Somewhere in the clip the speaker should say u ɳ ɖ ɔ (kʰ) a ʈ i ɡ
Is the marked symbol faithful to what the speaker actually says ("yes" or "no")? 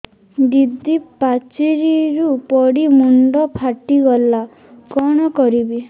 no